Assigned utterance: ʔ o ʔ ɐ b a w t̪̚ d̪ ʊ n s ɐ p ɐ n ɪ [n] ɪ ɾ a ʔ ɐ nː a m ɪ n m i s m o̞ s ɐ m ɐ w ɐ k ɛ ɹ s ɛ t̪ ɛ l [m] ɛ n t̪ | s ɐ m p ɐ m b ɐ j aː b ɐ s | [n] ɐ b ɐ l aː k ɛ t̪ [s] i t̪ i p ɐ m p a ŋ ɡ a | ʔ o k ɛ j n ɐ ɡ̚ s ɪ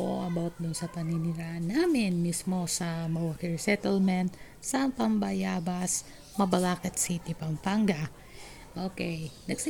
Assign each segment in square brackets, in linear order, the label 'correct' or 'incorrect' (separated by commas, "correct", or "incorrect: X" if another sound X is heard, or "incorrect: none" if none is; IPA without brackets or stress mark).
correct, correct, incorrect: m, correct